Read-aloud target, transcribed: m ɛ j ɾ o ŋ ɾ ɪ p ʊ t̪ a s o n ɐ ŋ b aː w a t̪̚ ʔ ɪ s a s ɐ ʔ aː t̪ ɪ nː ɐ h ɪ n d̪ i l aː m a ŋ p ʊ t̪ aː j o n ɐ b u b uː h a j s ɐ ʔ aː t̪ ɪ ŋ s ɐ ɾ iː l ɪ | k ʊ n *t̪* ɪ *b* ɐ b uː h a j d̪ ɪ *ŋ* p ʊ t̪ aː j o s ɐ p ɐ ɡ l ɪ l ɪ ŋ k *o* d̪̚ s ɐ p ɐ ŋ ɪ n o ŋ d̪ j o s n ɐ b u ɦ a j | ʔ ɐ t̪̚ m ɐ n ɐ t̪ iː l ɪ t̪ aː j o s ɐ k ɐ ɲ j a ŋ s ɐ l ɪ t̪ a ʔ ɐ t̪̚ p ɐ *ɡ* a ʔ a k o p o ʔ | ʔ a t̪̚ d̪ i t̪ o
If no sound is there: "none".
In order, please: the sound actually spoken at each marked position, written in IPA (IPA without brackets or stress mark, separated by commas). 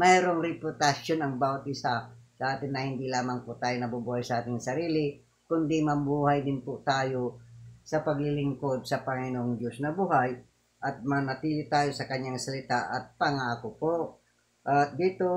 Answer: d̪, m, n, o, ŋ